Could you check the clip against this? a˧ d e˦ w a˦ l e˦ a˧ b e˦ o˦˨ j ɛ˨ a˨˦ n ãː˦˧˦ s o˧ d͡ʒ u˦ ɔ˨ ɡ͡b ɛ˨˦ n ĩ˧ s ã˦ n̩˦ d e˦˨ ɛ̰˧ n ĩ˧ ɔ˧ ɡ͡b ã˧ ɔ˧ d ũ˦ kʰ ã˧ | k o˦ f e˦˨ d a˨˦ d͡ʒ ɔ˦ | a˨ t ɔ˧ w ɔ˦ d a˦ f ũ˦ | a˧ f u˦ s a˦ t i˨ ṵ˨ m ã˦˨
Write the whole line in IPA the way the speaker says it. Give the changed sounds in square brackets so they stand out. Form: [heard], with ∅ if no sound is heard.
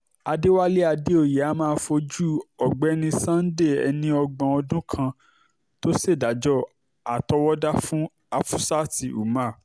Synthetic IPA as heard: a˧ d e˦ w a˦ l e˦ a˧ [d] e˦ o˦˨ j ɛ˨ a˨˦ [m] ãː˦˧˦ [f] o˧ d͡ʒ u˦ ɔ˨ ɡ͡b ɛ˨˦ n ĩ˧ s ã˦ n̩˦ d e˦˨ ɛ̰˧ n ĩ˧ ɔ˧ ɡ͡b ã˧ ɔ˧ d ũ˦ kʰ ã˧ | [t] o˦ [s] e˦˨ d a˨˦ d͡ʒ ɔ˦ | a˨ t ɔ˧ w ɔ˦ d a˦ f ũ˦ | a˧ f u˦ s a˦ t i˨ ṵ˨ m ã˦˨